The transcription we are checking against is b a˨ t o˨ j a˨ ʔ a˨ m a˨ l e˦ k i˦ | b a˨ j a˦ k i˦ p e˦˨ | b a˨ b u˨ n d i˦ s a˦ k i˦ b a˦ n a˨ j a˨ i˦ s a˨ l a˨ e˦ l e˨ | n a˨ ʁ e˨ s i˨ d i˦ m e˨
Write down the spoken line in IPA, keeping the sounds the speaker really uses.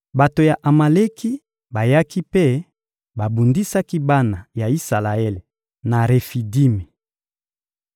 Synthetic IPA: b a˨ t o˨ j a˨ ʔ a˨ m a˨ l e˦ k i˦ | b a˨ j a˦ k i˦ p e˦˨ | b a˨ b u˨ n d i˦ s a˦ k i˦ b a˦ n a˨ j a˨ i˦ s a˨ l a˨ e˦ l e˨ | n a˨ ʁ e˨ f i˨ d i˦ m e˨

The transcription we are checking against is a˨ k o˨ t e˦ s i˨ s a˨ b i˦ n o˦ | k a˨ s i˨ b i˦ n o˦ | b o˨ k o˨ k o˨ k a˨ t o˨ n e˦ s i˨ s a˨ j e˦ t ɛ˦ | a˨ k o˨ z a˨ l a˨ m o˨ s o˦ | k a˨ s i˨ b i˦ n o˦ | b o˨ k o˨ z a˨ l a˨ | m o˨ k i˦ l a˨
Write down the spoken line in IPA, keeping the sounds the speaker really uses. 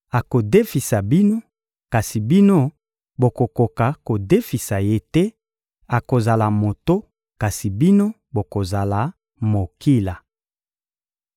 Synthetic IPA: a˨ k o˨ d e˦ f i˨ s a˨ b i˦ n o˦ | k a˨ s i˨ b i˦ n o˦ | b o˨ k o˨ k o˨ k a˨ k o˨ d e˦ f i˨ s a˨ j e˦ t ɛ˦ | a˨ k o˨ z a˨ l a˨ m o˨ t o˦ | k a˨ s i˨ b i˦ n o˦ | b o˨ k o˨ z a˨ l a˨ | m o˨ k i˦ l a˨

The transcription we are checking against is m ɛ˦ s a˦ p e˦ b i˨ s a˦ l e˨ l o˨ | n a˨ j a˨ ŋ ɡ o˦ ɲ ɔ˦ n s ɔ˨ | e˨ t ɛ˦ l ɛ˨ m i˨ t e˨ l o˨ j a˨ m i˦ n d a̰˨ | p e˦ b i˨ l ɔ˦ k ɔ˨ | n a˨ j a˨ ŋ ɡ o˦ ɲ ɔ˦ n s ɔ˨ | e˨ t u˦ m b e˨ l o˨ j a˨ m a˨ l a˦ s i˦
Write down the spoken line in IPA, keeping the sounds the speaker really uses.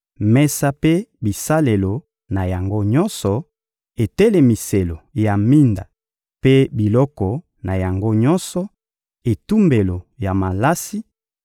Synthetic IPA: m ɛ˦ s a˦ p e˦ b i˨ s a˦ l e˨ l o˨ | n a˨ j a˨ ŋ ɡ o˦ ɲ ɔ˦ n s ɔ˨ | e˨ t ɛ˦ l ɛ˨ m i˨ s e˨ l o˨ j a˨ m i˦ n d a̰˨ | p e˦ b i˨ l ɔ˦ k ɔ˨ | n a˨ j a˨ ŋ ɡ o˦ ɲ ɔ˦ n s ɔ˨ | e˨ t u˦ m b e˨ l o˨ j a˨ m a˨ l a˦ s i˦

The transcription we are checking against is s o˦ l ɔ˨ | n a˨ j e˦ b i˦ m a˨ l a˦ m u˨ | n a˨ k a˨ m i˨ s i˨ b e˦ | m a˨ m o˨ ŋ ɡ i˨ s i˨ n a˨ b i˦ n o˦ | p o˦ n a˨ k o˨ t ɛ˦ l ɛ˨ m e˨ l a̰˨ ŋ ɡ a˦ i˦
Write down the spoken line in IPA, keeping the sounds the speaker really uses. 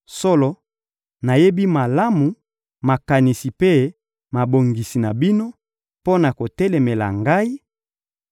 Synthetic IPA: s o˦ l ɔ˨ | n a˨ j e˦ b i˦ m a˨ l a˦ m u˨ | m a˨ k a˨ n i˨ s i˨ p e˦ | m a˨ b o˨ ŋ ɡ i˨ s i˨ n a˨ b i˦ n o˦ | p o˦ n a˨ k o˨ t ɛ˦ l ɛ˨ m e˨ l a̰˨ ŋ ɡ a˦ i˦

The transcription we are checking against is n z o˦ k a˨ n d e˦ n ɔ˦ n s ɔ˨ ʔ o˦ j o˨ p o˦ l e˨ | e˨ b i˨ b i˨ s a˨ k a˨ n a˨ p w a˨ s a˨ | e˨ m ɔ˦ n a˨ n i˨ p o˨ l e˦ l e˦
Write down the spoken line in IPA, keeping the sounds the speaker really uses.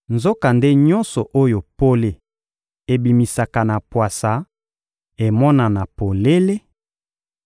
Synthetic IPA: n z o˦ k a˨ n d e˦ ɲ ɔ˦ n s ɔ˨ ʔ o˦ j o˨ p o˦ l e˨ | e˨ b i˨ m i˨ s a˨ k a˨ n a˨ p w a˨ s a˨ | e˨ m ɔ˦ n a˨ n a˨ p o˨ l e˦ l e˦

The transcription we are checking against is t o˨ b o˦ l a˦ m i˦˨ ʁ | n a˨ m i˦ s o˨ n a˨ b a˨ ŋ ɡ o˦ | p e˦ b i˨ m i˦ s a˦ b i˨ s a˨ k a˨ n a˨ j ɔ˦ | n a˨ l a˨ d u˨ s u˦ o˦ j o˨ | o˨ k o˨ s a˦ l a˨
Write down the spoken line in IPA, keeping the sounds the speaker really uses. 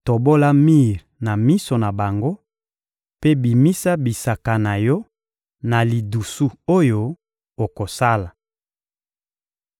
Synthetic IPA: t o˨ b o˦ l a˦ m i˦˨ ʁ | n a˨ m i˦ s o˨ n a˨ b a˨ ŋ ɡ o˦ | p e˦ b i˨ m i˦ s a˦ b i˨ s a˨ k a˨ n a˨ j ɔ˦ | n a˨ l i˨ d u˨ s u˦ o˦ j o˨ | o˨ k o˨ s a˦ l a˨

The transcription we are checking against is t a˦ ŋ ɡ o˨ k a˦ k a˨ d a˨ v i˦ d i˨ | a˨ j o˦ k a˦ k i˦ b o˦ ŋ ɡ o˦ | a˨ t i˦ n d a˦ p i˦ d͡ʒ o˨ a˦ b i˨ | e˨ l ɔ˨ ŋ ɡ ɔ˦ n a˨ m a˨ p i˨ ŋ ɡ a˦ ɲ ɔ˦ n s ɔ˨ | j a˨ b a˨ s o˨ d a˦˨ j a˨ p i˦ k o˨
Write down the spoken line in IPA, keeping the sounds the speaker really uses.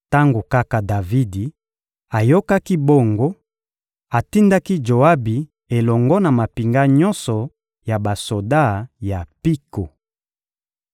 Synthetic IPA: t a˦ ŋ ɡ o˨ k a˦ k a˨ d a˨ v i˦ d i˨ | a˨ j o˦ k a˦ k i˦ b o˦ ŋ ɡ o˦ | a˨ t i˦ n d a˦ k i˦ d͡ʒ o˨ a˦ b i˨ | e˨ l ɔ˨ ŋ ɡ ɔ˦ n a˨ m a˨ p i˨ ŋ ɡ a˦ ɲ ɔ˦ n s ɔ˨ | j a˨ b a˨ s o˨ d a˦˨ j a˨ p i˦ k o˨

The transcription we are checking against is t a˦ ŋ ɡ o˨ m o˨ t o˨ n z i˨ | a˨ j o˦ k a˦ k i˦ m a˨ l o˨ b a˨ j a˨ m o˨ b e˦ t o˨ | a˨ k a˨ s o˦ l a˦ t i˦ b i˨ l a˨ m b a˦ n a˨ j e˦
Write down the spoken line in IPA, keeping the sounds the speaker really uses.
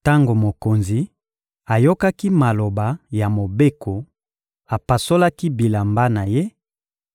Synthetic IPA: t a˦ ŋ ɡ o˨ m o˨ k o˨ n z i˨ | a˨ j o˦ k a˦ k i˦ m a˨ l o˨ b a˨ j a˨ m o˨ b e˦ k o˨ | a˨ p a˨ s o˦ l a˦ k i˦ b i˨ l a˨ m b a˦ n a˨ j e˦

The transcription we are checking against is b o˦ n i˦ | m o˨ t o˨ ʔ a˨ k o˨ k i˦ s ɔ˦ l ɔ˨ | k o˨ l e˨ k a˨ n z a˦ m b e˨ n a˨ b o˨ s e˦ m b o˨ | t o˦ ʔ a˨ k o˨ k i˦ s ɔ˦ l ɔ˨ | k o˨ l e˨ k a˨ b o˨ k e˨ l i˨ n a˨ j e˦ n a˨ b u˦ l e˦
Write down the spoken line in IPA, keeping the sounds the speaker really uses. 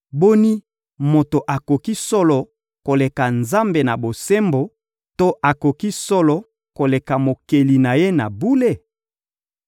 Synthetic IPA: b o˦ n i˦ | m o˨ t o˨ ʔ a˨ k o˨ k i˦ s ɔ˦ l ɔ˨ | k o˨ l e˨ k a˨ n z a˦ m b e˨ n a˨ b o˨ s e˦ m b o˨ | t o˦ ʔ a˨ k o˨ k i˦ s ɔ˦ l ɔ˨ | k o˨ l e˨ k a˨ m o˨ k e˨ l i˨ n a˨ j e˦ n a˨ b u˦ l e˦

